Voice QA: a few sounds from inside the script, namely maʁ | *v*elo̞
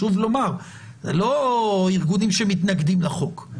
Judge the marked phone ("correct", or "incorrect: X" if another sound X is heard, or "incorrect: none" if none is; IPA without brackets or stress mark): incorrect: z